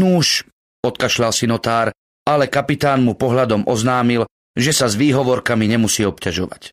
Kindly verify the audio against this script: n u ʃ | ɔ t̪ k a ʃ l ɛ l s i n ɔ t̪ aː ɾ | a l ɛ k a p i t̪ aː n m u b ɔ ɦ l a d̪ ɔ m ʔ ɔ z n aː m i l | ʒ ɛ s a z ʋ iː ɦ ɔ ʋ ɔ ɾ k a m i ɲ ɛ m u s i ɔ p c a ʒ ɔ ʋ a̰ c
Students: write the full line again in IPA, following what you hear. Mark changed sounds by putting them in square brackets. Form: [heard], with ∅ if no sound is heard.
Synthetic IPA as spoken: n u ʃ | ɔ t̪ k a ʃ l [a] l s i n ɔ t̪ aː ɾ | a l ɛ k a p i t̪ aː n m u [p] ɔ ɦ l a d̪ ɔ m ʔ ɔ z n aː m i l | ʒ ɛ s a z ʋ iː ɦ ɔ ʋ ɔ ɾ k a m i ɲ ɛ m u s [iː] ɔ p c a ʒ ɔ ʋ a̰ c